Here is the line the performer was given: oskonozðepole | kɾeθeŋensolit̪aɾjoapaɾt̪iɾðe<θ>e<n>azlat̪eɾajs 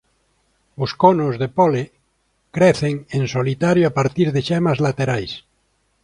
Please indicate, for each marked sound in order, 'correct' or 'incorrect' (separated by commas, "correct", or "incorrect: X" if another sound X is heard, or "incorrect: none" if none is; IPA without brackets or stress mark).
incorrect: ʃ, incorrect: m